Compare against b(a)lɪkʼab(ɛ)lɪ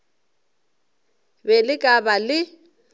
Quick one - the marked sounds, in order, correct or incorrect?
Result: incorrect: ɛ, incorrect: a

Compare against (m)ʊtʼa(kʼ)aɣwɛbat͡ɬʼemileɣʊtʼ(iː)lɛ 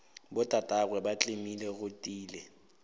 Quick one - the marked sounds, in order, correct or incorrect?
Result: incorrect: b, incorrect: tʼ, correct

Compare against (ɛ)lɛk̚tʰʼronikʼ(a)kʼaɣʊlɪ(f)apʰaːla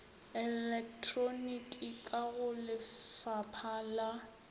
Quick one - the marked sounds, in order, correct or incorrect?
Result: correct, incorrect: i, correct

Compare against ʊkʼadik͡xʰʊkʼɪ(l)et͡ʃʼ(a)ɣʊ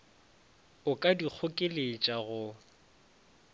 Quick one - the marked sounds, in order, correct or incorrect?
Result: correct, correct

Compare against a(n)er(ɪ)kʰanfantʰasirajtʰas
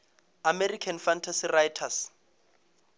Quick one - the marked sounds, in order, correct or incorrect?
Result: incorrect: m, incorrect: i

